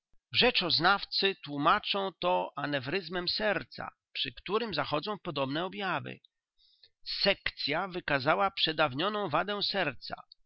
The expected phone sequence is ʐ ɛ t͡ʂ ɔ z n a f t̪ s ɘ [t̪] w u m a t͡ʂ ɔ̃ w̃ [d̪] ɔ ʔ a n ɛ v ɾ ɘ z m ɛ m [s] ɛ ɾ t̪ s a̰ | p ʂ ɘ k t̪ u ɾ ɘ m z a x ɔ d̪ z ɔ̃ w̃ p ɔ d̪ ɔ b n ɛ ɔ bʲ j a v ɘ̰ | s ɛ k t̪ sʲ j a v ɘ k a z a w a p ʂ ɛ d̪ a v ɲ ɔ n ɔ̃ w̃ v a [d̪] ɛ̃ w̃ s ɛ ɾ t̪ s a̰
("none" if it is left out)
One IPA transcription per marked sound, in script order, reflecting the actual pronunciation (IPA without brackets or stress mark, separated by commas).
t̪, t̪, s, d̪